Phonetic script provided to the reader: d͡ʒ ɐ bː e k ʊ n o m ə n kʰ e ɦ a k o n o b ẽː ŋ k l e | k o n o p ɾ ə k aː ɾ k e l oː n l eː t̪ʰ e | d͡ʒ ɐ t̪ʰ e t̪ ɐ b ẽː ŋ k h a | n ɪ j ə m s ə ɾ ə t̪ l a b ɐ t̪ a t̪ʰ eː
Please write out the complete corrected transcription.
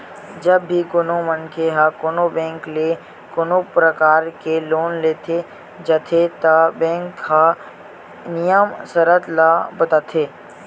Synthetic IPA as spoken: d͡ʒ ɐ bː i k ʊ n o m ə n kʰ e ɦ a k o n o b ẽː ŋ k l e | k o n o p ɾ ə k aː ɾ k e l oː n l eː t̪ʰ e | d͡ʒ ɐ t̪ʰ e t̪ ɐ b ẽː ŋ k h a | n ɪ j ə m s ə ɾ ə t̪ l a b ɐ t̪ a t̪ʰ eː

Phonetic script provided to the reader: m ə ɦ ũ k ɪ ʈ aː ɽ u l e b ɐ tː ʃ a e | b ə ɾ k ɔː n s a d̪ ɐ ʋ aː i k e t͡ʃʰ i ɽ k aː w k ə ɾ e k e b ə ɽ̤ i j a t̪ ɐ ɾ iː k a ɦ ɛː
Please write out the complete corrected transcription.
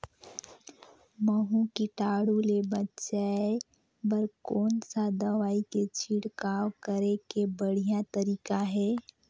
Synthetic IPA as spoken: m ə ɦ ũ k i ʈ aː ɽ u l e b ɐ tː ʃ a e | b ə ɾ k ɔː n s a d̪ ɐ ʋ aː i k e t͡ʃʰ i ɽ k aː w k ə ɾ e k e b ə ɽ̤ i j a t̪ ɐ ɾ iː k a ɦ ɛː

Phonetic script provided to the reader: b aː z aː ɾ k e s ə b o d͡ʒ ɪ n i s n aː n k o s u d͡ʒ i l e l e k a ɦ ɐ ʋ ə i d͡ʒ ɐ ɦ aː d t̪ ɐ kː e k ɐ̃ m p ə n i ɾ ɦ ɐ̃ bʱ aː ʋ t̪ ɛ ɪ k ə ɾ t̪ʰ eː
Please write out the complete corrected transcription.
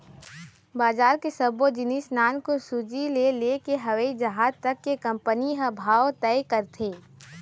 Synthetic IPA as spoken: b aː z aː ɾ k e s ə b o d͡ʒ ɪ n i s n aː n k o s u d͡ʒ i l e l e k e ɦ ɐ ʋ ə i d͡ʒ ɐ ɦ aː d t̪ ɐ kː e k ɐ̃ m p ə n i ɦ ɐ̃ bʱ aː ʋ t̪ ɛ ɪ k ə ɾ t̪ʰ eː

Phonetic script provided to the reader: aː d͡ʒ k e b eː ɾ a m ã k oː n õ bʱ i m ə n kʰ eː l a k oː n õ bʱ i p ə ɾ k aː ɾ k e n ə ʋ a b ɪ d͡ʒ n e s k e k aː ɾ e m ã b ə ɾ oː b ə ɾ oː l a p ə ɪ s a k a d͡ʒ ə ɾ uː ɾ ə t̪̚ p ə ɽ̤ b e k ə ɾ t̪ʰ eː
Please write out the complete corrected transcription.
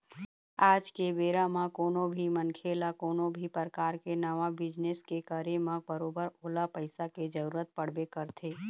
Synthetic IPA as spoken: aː d͡ʒ k e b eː ɾ a m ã k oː n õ bʱ i m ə n kʰ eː l a k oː n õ bʱ i p ə ɾ k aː ɾ k e n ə ʋ a b ɪ d͡ʒ n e s k e k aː ɾ e m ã b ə ɾ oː b ə ɾ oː l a p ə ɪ s a k e d͡ʒ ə ɾ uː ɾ ə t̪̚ p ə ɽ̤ b e k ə ɾ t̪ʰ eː

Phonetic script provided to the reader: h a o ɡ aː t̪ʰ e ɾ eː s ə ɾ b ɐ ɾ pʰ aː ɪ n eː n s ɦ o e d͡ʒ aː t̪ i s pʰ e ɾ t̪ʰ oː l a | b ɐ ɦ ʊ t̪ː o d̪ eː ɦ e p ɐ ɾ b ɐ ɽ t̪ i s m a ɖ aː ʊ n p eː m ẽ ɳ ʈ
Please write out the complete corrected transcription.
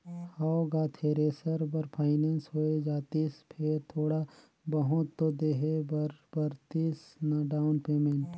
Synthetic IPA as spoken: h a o ɡ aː t̪ʰ e ɾ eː s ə ɾ b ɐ ɾ pʰ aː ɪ n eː n s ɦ o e d͡ʒ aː t̪ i s pʰ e ɾ t̪ʰ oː ɽ a | b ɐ ɦ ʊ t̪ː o d̪ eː ɦ e b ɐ ɾ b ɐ ɾ t̪ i s n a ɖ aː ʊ n p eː m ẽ ɳ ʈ

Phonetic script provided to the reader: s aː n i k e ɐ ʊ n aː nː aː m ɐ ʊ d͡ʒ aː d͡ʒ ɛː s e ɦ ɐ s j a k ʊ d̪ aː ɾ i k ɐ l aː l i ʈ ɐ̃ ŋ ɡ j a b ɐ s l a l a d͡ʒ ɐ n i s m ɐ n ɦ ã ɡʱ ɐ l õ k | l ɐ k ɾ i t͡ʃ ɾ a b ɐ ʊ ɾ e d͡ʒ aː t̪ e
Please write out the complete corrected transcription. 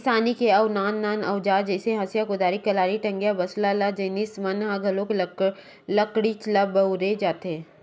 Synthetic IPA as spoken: s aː n i k e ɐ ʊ n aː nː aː n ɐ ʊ d͡ʒ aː d͡ʒ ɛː s e ɦ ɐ s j a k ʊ d̪ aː ɾ i k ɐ l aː ɾ i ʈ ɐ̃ ŋ ɡ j a b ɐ s l a l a d͡ʒ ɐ n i s m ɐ n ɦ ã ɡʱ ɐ l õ k | l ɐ k ɽ i t͡ʃ l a b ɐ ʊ ɾ e d͡ʒ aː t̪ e

